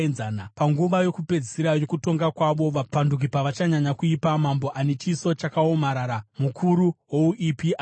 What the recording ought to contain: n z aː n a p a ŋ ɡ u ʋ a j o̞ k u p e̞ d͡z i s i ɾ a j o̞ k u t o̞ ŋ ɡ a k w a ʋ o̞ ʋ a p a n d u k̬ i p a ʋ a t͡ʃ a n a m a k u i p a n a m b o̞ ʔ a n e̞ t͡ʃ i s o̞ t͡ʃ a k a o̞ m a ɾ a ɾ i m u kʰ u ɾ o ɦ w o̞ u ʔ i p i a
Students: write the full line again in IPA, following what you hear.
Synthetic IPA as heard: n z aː n a p a ŋ ɡ u ʋ a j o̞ k u p e̞ d͡z i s i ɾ a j o̞ k u t o̞ ŋ ɡ a k w a ʋ o̞ ʋ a p a n d u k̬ i p a ʋ a t͡ʃ a ɲ a ɲ a k u i p a m a m b o̞ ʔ a n e̞ t͡ʃ i s o̞ t͡ʃ a k a o̞ m a ɾ a ɾ a m u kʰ u ɾ u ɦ w o̞ u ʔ i p i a